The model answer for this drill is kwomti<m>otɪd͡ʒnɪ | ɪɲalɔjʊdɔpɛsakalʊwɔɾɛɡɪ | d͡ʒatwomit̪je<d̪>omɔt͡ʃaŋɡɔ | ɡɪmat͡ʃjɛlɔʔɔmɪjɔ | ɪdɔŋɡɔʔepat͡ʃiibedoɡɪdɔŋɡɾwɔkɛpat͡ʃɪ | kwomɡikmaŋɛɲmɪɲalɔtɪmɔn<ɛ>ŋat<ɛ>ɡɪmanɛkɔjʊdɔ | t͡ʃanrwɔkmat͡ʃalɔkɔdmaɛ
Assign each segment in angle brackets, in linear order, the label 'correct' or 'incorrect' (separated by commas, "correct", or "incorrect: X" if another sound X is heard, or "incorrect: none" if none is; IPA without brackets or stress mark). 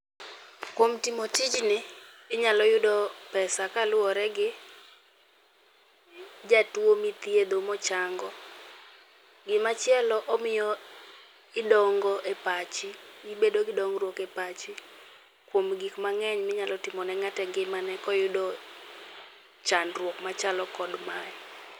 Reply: correct, correct, correct, correct